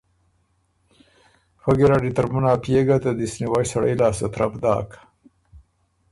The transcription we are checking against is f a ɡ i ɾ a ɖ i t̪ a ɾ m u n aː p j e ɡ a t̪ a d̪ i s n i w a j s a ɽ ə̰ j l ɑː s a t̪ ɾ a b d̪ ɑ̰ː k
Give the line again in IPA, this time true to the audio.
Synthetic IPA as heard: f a ɡ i ɾ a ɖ i t̪ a ɾ m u n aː p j e ɡ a t̪ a d̪ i s n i w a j s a ɽ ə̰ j l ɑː s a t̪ ɾ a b d̪ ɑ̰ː k